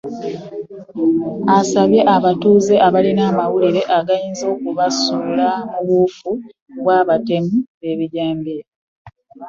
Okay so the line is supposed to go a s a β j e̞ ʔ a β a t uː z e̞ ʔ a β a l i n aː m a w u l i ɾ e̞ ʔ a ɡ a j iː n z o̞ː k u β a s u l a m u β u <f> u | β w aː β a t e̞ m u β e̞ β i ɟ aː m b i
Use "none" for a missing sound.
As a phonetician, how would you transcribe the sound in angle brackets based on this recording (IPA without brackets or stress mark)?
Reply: f